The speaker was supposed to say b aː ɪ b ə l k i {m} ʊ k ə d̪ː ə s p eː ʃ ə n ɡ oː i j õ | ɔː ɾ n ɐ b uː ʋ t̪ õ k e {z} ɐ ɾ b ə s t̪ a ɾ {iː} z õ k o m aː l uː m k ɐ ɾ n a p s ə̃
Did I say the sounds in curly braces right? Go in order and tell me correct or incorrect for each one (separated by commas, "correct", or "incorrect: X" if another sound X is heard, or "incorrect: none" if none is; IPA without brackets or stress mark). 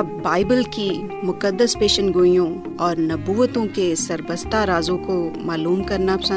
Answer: correct, incorrect: s, incorrect: aː